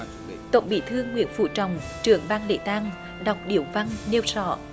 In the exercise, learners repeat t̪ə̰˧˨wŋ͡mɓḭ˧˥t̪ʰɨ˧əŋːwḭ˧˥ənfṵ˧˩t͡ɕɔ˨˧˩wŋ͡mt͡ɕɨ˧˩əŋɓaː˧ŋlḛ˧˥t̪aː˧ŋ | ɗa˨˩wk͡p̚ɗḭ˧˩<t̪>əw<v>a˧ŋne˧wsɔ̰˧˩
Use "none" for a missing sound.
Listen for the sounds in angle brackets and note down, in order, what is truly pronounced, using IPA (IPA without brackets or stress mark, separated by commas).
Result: none, v